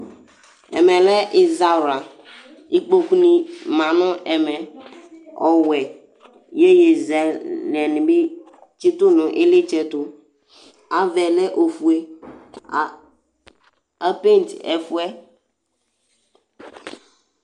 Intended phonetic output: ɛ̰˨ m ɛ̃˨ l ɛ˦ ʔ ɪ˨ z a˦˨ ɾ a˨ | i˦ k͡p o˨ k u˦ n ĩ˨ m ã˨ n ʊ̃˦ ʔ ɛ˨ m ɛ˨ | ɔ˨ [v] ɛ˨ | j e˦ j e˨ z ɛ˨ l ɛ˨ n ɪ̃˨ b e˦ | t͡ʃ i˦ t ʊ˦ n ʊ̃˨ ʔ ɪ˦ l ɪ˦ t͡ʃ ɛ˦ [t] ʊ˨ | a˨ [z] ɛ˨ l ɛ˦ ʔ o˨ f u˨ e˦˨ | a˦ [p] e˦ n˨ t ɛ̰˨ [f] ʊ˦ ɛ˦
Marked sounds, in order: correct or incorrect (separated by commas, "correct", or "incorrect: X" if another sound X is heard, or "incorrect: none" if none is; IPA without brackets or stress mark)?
incorrect: w, correct, incorrect: v, correct, correct